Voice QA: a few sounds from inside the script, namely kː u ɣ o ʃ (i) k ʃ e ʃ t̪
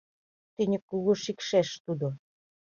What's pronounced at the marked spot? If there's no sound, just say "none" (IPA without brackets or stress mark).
i